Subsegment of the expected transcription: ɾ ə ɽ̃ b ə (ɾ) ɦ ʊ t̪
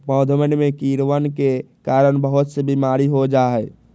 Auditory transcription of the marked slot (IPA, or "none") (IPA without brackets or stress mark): none